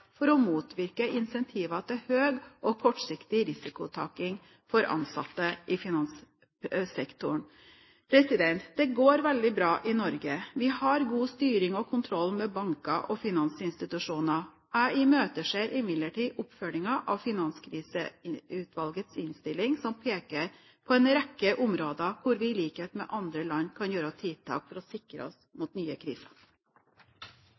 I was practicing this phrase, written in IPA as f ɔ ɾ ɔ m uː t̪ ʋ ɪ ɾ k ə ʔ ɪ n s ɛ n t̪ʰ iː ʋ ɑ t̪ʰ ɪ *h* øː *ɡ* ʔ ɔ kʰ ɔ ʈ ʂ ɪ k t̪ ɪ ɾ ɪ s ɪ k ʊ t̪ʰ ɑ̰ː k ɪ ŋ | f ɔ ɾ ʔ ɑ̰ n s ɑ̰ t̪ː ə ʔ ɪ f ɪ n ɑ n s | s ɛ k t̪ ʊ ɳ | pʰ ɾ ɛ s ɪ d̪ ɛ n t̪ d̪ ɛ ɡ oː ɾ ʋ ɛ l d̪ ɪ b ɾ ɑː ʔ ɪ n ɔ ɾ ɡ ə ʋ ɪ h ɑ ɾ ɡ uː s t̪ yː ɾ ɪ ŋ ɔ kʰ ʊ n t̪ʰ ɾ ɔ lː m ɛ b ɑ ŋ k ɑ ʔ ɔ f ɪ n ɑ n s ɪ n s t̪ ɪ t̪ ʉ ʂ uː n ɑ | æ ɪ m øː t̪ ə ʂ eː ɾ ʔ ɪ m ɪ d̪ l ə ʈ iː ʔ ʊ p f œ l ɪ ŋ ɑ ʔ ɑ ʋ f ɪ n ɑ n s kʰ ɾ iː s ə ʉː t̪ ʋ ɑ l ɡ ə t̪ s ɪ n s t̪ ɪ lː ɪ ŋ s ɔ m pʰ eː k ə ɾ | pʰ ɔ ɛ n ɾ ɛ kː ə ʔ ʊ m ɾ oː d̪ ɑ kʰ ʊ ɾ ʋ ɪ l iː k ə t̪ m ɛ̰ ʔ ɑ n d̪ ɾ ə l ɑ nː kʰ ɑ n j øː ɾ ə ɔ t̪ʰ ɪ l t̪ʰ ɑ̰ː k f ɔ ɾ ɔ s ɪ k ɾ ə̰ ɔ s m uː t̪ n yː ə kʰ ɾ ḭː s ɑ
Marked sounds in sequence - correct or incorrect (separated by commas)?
correct, correct